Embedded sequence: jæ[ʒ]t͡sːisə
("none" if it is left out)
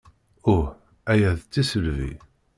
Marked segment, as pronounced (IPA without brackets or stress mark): ð